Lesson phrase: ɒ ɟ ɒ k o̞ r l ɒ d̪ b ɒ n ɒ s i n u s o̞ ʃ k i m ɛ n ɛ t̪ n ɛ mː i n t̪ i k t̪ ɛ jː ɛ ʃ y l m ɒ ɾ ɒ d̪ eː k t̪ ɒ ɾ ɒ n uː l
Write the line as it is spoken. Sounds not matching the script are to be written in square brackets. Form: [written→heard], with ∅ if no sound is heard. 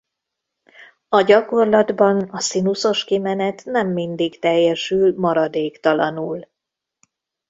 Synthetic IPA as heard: ɒ ɟ ɒ k o̞ r l ɒ d̪ b ɒ n ɒ s i n u s o̞ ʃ k i m ɛ n ɛ t̪ n ɛ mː i n [t̪→d̪] i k t̪ ɛ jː ɛ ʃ y l m ɒ ɾ ɒ d̪ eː k t̪ ɒ [ɾ→l] ɒ n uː l